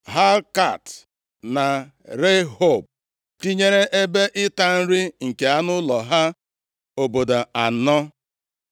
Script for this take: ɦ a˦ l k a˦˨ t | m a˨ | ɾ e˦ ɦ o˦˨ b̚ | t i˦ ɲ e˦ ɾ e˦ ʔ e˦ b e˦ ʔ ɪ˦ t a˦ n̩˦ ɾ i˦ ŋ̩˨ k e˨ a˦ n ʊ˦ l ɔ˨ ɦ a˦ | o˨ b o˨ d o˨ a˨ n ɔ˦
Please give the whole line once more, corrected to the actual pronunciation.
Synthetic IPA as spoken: ɦ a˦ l k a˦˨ t | n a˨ | ɾ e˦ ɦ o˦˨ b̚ | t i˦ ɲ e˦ ɾ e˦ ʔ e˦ b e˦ ʔ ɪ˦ t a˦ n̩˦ ɾ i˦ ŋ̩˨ k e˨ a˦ n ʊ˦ l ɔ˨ ɦ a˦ | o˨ b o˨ d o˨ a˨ n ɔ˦